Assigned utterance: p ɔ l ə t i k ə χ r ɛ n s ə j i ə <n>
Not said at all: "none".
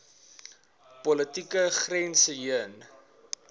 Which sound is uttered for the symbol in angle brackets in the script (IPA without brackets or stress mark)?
n